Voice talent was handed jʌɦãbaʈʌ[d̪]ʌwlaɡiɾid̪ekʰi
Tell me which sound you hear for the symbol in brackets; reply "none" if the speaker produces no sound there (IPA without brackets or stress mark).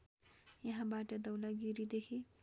d̪